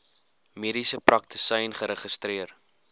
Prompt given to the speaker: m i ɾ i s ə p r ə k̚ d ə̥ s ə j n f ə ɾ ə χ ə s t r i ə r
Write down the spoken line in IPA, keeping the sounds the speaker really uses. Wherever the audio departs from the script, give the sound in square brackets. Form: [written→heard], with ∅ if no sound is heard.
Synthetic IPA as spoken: m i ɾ i s ə p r [ə→ɐ] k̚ [d→t] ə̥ s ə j n [f→χ] ə ɾ ə χ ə s t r i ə r